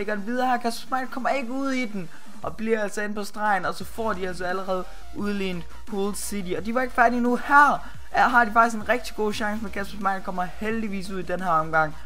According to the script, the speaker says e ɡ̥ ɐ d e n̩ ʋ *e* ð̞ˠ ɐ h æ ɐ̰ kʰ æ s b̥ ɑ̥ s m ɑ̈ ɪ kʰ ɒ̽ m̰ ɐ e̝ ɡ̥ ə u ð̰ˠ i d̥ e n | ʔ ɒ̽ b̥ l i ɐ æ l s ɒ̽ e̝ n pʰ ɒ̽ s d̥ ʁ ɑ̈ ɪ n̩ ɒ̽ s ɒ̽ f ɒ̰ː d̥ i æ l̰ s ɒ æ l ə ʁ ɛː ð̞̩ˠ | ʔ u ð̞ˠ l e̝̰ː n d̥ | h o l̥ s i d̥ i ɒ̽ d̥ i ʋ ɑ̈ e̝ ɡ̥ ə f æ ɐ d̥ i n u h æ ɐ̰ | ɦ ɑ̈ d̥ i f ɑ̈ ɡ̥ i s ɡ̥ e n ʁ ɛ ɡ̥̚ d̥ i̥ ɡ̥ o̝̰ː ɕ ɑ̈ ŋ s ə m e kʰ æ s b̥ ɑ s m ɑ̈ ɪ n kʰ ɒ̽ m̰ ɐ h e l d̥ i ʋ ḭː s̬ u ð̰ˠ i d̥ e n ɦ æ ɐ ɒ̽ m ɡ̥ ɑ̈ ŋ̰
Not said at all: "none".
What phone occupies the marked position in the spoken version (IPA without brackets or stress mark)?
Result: i